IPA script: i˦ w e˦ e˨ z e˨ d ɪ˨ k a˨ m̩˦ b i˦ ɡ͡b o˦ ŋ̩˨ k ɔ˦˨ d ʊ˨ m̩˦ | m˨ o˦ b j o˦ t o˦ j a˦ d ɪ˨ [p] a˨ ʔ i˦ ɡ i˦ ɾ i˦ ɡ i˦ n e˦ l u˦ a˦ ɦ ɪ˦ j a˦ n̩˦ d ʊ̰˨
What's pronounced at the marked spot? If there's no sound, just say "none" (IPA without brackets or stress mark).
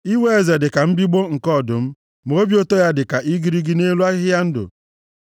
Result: k